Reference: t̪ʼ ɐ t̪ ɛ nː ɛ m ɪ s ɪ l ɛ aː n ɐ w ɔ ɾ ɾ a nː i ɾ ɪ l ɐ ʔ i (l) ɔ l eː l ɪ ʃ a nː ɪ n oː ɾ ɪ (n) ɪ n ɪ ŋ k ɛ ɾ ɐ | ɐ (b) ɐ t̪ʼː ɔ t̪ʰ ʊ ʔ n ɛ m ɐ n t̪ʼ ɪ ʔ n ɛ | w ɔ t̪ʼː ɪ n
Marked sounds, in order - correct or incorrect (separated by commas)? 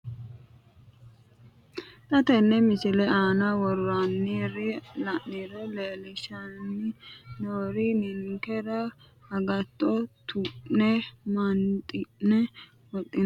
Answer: incorrect, correct, incorrect